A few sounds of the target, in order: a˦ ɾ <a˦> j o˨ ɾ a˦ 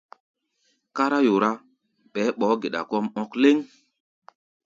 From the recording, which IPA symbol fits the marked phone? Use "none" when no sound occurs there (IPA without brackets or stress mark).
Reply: a˦